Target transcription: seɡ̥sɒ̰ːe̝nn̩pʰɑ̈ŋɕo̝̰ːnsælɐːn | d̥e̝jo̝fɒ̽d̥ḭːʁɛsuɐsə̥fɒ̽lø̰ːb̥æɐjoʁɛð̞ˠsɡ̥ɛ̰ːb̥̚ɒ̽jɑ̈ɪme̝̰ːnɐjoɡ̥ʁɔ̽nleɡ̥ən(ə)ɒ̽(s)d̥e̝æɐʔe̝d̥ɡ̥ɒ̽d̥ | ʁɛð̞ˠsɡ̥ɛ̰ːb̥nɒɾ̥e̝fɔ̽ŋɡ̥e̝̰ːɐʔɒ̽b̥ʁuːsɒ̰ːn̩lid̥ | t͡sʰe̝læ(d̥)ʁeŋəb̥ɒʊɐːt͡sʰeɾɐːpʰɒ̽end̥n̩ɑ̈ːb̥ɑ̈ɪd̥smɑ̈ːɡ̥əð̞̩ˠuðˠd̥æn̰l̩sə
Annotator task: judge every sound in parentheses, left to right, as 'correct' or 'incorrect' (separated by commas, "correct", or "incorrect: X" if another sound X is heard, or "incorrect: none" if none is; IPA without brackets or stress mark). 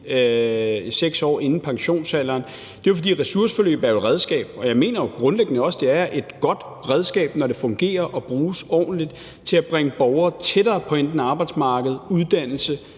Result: correct, correct, incorrect: b̥